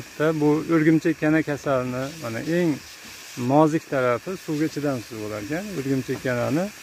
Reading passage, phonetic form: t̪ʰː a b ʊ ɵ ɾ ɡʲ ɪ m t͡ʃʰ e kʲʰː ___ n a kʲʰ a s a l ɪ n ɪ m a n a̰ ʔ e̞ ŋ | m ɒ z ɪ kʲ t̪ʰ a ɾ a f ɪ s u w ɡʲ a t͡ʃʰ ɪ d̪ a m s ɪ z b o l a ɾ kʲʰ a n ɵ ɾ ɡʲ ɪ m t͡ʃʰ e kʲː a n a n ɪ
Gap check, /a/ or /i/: a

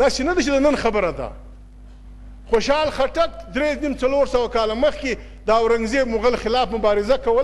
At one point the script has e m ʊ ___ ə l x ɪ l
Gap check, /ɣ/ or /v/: ɣ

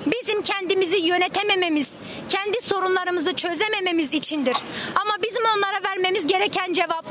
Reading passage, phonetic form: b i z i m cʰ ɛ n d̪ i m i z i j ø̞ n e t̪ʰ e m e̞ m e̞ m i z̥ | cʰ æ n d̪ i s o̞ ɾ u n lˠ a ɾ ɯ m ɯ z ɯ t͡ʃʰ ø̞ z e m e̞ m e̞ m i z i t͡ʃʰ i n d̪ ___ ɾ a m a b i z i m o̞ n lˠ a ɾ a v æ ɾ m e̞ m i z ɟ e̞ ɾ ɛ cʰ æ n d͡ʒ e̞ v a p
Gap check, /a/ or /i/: i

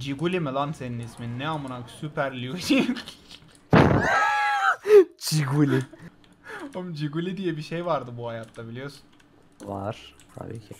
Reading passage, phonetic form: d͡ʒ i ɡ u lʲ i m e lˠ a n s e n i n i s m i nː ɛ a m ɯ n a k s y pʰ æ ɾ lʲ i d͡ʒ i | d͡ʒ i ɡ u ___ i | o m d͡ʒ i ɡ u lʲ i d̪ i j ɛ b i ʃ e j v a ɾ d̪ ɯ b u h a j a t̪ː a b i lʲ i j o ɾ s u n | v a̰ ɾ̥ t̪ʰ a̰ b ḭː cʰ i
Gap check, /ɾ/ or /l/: l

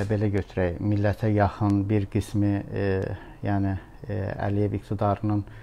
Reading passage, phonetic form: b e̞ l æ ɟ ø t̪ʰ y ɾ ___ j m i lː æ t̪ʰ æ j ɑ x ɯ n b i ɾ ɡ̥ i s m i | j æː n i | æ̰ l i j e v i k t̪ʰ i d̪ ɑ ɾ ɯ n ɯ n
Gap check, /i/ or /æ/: æ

